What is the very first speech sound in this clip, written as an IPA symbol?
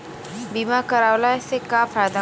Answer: b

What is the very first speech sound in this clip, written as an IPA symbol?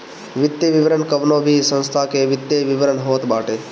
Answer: ʋ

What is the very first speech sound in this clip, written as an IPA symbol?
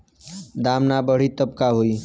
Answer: d̪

